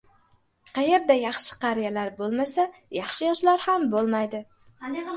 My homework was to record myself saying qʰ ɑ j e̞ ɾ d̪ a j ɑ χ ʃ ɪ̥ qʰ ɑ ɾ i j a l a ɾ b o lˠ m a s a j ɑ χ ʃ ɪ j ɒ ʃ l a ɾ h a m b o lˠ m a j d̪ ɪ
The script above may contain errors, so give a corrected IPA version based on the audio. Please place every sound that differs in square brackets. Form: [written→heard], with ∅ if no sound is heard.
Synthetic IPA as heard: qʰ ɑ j e̞ ɾ d̪ a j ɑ χ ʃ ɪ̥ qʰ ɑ ɾ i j a l a ɾ b o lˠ m a s a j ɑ χ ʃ ɪ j ɒ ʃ l a ɾ h a m b o lˠ m a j d̪ ɪ